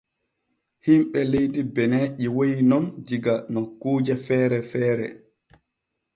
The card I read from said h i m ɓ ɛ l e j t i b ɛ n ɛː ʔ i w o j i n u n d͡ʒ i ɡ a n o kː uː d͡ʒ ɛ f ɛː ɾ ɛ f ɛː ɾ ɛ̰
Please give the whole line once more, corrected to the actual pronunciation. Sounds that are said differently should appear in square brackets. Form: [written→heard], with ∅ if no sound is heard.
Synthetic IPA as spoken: h i m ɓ ɛ l e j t i b ɛ n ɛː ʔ i w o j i n [u→ɔ] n d͡ʒ i ɡ a n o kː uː d͡ʒ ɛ f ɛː ɾ ɛ f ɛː ɾ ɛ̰